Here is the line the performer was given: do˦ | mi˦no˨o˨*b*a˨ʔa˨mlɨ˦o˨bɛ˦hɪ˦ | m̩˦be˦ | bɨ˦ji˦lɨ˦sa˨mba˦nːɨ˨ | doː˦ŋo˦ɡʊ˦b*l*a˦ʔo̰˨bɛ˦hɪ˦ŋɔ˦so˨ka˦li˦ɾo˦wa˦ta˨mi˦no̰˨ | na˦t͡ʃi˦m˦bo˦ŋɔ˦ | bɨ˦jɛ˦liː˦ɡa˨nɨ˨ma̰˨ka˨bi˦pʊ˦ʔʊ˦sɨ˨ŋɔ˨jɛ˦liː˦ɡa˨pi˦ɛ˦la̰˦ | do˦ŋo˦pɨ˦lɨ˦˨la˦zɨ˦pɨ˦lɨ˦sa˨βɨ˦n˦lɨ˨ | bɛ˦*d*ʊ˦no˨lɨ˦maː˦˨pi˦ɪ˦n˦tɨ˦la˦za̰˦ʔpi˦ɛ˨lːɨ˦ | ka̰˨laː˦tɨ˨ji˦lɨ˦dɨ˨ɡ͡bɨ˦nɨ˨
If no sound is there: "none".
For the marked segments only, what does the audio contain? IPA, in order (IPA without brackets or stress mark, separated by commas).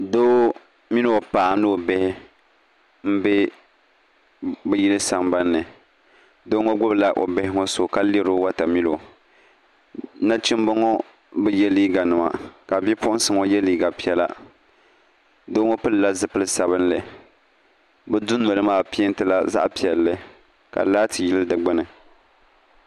p, l, d